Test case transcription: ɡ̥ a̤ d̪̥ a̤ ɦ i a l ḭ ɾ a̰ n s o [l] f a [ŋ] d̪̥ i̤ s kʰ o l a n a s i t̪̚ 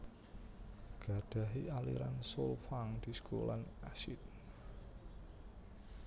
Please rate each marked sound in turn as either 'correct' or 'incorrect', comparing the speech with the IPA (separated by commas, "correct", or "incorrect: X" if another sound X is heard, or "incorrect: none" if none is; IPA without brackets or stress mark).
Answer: correct, correct